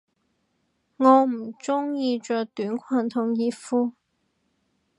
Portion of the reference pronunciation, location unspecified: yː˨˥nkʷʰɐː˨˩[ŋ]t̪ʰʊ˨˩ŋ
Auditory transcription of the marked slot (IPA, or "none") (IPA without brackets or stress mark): n